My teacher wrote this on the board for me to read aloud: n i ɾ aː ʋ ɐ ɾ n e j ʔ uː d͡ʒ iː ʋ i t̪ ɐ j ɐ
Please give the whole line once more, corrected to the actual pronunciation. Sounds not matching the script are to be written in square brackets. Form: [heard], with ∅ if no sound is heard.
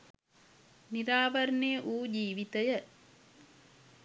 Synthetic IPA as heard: n i ɾ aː ʋ ɐ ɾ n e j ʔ uː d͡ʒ iː ʋ i t̪ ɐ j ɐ